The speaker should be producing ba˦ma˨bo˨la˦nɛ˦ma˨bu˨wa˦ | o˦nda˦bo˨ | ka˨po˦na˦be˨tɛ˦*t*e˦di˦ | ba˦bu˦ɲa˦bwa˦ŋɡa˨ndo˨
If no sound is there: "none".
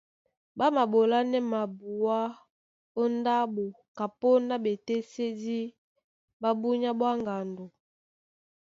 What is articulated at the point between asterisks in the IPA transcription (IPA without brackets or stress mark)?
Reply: s